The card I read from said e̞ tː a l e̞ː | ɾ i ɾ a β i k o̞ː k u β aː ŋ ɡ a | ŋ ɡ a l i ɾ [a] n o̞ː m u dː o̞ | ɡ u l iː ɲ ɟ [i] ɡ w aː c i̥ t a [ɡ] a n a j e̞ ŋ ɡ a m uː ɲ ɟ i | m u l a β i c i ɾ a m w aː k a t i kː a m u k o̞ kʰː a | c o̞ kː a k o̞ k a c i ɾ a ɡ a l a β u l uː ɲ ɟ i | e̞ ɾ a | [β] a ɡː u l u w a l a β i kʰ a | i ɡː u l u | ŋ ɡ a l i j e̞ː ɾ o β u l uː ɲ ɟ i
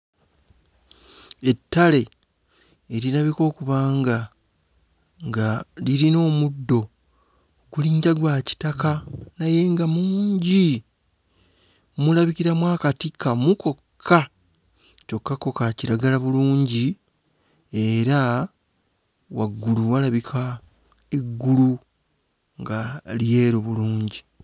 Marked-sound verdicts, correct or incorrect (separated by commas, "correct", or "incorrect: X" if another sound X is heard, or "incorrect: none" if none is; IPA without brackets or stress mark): incorrect: i, incorrect: a, incorrect: k, incorrect: w